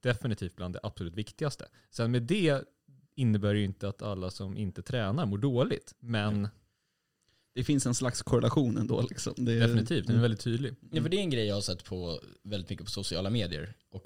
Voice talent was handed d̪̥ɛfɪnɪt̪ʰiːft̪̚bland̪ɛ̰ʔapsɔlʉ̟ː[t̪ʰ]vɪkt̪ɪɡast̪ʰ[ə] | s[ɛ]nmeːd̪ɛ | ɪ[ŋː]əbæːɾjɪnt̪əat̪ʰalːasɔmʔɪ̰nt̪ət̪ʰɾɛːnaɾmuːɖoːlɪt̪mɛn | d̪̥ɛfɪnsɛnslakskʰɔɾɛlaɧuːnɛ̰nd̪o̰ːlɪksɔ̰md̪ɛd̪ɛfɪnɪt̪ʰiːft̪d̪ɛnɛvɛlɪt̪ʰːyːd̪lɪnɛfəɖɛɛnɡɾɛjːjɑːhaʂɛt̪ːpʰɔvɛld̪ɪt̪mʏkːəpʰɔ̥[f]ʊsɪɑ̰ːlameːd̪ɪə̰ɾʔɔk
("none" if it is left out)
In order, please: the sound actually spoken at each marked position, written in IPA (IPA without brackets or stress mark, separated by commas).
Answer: t̪, ə, ɛ, nː, s